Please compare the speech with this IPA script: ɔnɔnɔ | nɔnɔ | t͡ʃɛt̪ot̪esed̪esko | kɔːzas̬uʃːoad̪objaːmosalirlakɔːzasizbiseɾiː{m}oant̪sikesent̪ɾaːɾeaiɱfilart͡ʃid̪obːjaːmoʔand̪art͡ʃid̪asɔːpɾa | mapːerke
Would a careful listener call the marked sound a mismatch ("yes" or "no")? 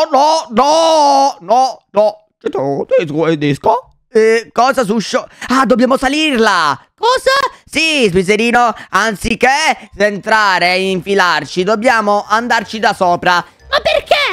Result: yes